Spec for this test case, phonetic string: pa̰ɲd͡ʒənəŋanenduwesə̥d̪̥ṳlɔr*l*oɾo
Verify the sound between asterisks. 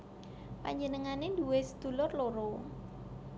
correct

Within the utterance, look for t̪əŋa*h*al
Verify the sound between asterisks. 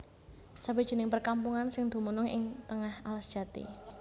correct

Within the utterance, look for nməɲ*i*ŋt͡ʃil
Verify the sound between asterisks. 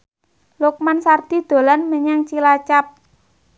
incorrect: a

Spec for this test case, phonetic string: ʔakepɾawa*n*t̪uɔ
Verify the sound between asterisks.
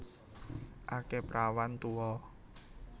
correct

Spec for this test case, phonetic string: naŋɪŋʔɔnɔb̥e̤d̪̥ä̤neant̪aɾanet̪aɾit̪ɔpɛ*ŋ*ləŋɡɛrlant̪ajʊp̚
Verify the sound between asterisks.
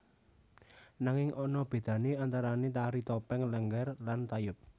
correct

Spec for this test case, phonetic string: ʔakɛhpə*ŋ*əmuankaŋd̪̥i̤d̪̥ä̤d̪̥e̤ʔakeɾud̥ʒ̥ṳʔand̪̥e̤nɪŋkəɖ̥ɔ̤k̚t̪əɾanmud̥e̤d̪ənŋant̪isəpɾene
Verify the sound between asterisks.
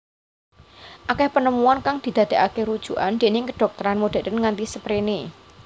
incorrect: n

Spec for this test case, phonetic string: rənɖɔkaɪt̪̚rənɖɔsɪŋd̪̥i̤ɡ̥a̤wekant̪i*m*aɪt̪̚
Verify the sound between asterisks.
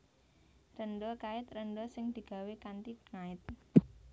incorrect: ŋ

